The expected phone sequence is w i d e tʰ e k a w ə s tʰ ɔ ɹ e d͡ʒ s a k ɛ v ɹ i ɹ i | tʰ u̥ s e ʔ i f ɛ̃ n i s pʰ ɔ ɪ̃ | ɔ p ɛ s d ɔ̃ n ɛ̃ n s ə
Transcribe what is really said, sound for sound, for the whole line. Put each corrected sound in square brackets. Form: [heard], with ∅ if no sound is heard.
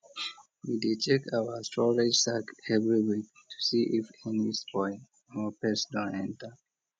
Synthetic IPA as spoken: w i d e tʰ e k a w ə s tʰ ɔ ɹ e d͡ʒ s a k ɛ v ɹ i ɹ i | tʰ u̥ s [i] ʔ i f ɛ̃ n i s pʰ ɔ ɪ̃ | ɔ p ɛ s d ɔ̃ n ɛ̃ n [t] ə